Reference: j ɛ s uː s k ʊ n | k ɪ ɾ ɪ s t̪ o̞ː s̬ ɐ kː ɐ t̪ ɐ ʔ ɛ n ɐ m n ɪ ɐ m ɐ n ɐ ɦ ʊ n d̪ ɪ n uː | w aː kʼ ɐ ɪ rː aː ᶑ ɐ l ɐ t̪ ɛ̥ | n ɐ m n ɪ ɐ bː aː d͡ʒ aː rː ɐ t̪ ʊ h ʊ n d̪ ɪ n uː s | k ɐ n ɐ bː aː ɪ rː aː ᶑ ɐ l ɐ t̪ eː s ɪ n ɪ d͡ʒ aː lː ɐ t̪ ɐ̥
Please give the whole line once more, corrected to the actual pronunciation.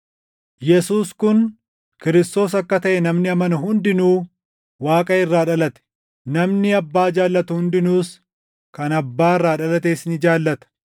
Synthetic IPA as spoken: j ɛ s uː s k ʊ n | k ɪ ɾ ɪ s t̪ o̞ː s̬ ɐ kː ɐ t̪ ɐ ʔ ɛ n ɐ m n ɪ ɐ m ɐ n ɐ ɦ ʊ n d̪ ɪ n uː | w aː kʼ ɐ ɪ rː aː ᶑ ɐ l ɐ t̪ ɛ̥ | n ɐ m n ɪ ɐ bː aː d͡ʒ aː lː ɐ t̪ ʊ h ʊ n d̪ ɪ n uː s | k ɐ n ɐ bː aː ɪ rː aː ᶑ ɐ l ɐ t̪ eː s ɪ n ɪ d͡ʒ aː lː ɐ t̪ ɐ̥